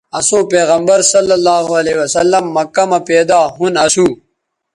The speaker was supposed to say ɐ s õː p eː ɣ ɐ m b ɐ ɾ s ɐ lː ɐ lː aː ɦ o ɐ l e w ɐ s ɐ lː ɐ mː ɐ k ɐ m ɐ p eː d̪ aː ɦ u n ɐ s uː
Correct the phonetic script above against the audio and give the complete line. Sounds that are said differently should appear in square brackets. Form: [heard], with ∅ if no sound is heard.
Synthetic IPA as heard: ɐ s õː p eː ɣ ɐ m b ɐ ɾ s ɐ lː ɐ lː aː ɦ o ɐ l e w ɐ s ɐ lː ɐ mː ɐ k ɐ m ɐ p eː d̪ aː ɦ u n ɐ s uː